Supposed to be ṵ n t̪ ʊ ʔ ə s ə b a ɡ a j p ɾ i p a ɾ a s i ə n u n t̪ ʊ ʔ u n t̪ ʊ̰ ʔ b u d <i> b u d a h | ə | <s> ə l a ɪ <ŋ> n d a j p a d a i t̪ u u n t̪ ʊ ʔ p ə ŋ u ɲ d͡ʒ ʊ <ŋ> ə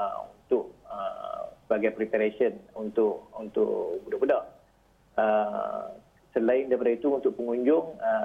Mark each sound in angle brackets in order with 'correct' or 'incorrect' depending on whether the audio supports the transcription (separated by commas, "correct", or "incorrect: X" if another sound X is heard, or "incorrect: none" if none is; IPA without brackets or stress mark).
incorrect: a, correct, incorrect: none, correct